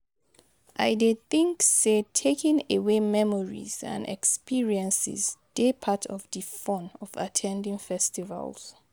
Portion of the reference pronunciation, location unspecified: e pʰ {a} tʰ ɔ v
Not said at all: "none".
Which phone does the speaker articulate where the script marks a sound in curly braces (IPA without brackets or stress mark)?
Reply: a